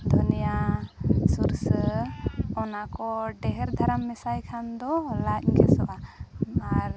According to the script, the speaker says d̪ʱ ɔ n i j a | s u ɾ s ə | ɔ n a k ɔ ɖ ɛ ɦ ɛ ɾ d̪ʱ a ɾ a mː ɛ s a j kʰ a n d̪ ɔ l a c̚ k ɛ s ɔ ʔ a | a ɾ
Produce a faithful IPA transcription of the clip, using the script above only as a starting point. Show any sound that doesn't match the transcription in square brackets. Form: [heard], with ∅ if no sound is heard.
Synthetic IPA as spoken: d̪ʱ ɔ n i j a | s u ɾ s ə | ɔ n a k ɔ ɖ ɛ ɦ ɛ ɾ d̪ʱ a ɾ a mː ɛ s a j kʰ a n d̪ ɔ l a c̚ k ɛ s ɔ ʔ a | a ɾ